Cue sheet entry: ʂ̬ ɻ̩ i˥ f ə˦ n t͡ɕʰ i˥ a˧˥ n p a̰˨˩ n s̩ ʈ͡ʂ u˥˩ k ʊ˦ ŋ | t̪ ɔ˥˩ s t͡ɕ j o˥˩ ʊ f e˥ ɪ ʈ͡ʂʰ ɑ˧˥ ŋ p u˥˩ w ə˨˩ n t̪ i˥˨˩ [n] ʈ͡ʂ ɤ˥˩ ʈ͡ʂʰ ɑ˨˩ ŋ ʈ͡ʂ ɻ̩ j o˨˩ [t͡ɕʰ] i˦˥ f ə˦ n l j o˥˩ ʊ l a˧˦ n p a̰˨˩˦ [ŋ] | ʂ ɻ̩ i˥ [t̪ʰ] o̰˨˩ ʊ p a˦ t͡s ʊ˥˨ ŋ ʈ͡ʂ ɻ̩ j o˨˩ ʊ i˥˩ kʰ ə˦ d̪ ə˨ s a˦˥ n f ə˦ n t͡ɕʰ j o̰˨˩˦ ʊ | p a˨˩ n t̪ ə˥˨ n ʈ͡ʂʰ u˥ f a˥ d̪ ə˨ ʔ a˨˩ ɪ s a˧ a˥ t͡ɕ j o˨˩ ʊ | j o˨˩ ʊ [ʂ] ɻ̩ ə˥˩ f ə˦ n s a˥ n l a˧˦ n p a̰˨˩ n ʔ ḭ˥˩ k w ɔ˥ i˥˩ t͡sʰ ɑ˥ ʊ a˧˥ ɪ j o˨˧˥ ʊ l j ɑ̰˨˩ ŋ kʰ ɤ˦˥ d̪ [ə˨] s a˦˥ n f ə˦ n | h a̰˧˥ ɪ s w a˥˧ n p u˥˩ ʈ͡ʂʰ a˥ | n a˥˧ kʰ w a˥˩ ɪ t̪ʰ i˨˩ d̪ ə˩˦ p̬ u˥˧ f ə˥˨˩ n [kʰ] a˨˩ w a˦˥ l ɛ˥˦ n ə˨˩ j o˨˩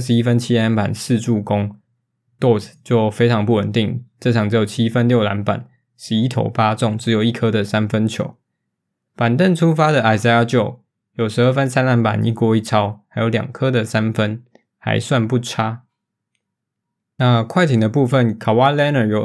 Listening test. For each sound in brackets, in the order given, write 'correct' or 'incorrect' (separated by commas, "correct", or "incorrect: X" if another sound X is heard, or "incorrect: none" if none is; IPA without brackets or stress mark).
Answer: incorrect: ŋ, correct, incorrect: n, correct, correct, correct, correct